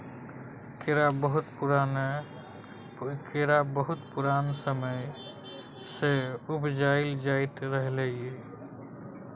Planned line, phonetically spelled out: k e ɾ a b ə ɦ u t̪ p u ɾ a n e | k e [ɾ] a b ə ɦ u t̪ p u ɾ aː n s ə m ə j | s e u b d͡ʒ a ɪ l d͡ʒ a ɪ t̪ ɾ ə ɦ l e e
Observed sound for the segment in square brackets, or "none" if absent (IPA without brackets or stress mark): ɾ